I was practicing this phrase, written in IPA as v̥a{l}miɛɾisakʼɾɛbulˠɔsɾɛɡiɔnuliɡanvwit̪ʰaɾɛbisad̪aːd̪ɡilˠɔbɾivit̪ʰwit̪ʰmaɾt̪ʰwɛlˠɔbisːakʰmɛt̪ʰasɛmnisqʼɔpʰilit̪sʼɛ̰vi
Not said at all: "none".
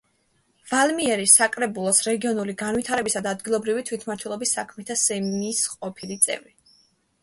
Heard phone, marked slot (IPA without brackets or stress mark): l